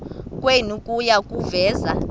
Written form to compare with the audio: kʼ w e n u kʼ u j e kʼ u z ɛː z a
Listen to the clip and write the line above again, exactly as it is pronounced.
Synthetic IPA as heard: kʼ w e n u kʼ u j a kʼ u v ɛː z a